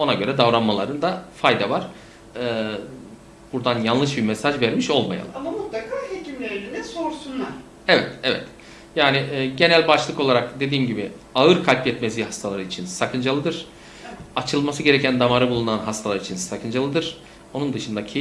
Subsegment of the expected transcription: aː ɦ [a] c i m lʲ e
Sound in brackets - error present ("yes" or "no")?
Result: yes